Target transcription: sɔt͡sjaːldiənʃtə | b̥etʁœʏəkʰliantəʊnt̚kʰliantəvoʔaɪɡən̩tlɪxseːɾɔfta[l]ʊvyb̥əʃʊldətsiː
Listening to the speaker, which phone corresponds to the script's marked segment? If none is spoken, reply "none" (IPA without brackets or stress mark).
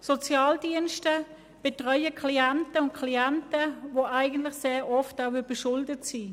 none